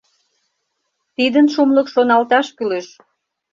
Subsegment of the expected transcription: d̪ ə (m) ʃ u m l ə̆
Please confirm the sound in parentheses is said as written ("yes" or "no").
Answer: no